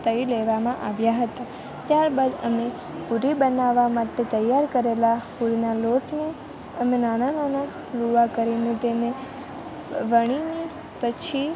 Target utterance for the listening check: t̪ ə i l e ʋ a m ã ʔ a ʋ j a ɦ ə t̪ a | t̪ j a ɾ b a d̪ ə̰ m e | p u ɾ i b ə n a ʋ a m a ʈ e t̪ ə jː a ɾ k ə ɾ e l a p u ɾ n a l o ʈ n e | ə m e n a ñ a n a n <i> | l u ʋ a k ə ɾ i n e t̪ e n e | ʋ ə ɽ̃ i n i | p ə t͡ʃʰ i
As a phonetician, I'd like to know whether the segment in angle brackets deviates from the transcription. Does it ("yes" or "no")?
yes